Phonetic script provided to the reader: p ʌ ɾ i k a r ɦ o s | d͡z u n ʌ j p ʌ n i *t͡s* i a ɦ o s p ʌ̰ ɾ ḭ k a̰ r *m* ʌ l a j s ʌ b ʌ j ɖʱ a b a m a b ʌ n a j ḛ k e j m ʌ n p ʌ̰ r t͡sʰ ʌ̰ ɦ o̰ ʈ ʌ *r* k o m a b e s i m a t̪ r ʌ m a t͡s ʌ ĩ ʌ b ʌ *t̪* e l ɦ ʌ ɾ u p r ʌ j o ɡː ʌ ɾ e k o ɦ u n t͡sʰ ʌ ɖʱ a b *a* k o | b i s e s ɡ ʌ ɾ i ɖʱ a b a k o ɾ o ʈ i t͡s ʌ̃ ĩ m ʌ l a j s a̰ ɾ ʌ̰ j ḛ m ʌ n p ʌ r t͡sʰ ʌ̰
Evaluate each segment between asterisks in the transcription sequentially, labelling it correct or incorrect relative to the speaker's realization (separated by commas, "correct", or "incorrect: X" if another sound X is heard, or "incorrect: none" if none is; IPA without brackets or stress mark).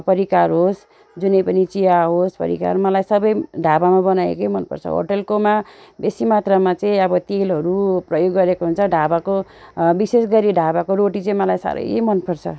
correct, correct, incorrect: l, correct, correct